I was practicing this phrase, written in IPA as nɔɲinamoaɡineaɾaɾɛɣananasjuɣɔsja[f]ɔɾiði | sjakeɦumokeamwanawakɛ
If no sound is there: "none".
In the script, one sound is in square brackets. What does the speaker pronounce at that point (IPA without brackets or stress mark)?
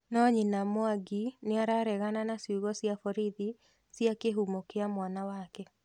f